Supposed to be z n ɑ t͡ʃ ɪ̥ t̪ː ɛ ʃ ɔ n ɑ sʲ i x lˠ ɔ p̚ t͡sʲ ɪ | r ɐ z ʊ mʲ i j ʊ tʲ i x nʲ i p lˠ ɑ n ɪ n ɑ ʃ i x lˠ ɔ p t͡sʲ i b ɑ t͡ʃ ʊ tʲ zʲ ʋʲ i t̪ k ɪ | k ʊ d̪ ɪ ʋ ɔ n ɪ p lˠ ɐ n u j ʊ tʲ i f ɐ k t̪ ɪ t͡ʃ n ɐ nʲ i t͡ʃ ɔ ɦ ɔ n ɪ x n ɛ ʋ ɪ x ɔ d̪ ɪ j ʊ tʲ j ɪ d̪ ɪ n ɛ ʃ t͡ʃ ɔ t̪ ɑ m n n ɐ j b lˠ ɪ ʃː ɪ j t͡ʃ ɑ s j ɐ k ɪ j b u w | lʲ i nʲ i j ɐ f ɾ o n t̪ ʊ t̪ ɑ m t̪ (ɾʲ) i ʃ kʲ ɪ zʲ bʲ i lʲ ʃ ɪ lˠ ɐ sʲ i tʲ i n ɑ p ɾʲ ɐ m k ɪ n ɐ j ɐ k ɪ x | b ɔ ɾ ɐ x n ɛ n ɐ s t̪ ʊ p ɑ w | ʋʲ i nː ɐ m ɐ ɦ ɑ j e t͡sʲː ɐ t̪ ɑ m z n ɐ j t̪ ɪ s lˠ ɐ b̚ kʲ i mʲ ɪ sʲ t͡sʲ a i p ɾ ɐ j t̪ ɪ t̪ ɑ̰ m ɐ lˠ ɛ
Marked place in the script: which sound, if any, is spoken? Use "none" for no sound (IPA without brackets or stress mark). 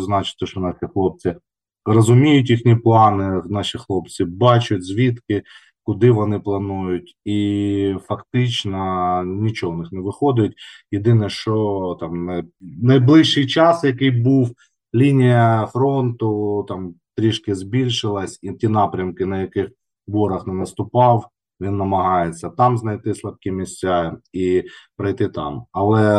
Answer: ɾʲ